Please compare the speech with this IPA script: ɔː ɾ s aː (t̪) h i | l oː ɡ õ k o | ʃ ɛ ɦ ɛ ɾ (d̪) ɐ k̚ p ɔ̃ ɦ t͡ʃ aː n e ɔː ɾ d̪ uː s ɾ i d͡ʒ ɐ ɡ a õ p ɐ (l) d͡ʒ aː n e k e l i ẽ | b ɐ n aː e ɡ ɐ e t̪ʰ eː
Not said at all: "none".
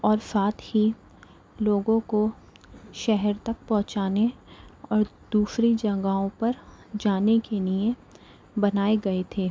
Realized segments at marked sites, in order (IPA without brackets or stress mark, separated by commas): t̪, t̪, ɾ